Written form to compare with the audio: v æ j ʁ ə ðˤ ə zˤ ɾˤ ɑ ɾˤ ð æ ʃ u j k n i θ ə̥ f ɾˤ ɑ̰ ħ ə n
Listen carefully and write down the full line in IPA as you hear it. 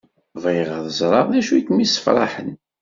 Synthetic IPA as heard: v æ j ʁ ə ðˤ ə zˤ ɾˤ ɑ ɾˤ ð æ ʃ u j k m i s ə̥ f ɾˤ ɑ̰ ħ ə n